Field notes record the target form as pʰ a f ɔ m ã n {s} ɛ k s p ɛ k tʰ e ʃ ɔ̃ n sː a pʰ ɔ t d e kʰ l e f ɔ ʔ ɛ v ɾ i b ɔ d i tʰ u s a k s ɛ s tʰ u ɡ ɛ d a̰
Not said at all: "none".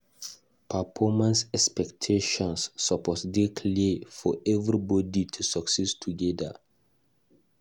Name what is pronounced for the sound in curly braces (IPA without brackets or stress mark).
s